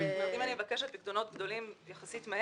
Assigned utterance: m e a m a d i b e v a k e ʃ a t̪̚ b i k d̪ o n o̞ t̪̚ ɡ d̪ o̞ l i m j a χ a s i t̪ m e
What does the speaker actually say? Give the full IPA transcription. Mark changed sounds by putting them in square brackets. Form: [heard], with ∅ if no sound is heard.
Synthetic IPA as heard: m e [i] m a [n] i [m] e v a k e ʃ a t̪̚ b i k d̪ o n o̞ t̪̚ ɡ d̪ o̞ l i m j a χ a s i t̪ m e